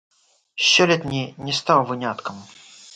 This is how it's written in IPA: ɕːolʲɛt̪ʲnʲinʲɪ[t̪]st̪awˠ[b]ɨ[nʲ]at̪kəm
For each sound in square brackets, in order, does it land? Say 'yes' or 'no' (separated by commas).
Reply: no, no, yes